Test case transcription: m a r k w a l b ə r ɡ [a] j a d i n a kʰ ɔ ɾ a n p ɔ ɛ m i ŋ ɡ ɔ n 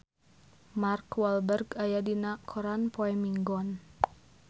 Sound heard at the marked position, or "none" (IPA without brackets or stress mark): a